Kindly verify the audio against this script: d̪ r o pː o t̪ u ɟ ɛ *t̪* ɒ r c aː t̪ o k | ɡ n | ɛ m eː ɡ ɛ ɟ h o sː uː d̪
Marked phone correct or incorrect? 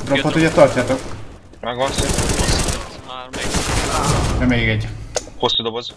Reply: correct